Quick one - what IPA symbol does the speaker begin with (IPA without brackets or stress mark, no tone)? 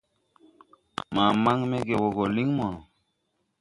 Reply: m